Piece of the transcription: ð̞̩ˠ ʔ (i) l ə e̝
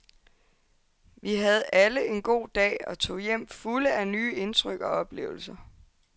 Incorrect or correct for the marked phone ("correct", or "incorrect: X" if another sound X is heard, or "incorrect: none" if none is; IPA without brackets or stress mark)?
incorrect: æ